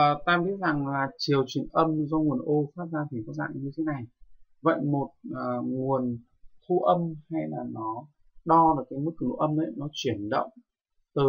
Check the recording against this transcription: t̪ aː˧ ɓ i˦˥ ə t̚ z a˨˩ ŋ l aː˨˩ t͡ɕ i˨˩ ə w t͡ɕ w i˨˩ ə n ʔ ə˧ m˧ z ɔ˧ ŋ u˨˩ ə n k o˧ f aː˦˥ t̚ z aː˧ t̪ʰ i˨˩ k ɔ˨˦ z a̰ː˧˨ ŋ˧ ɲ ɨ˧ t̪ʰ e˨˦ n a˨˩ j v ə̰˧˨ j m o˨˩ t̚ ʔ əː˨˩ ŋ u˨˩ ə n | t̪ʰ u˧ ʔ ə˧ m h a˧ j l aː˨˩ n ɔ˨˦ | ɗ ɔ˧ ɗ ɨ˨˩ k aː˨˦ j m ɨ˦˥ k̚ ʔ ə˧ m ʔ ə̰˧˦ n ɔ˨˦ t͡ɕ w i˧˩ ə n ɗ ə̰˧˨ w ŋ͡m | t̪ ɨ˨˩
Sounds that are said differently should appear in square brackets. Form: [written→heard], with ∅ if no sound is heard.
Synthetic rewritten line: t̪ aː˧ ɓ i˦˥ ə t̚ z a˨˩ ŋ l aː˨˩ t͡ɕ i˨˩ ə w t͡ɕ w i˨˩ ə n ʔ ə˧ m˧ z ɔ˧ ŋ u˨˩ ə n [k→ʔ] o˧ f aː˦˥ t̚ z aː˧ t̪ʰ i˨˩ k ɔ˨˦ z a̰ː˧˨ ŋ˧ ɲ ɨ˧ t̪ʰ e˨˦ n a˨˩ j v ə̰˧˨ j m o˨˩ t̚ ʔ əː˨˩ ŋ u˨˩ ə n | t̪ʰ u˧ ʔ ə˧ m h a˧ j l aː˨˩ n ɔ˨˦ | ɗ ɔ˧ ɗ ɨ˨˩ k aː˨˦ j m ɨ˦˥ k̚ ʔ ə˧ m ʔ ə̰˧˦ n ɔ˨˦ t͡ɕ w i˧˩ ə n ɗ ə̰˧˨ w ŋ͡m | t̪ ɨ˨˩